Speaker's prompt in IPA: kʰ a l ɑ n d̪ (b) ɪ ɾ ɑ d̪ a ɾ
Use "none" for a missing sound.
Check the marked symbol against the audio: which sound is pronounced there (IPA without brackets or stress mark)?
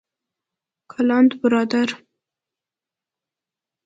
b